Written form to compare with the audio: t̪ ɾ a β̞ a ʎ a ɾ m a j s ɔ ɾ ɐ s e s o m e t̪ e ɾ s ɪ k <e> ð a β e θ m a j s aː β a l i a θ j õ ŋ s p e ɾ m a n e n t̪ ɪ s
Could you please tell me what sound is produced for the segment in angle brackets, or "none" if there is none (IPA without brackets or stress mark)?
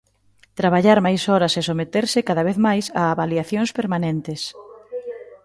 a